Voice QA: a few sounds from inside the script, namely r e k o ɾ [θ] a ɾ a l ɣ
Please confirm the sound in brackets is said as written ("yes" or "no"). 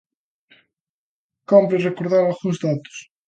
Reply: no